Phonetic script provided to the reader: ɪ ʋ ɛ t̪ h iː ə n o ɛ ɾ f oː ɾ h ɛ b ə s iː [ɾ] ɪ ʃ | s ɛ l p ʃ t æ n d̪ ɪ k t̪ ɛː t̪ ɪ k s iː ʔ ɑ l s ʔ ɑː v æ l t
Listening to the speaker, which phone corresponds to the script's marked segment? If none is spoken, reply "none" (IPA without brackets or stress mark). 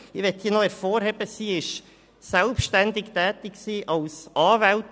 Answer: none